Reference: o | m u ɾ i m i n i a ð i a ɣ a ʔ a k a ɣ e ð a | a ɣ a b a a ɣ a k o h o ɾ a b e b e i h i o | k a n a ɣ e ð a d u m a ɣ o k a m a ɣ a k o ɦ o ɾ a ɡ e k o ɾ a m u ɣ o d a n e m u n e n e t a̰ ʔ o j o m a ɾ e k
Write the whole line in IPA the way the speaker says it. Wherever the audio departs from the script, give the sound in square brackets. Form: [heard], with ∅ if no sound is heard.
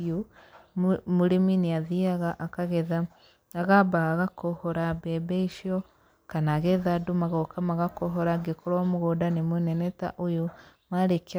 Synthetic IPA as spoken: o | m u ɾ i m i n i a ð i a ɣ a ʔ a k a ɣ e ð a | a ɣ a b a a ɣ a k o h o ɾ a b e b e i [ʃ] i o | k a n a ɣ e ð a d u m a ɣ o k a m a ɣ a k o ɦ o ɾ a ɡ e k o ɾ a m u ɣ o d a n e m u n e n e t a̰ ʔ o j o m a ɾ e k